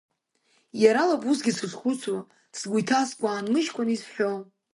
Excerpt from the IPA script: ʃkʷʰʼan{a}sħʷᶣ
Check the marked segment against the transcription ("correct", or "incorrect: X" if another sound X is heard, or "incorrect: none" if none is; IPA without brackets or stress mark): incorrect: i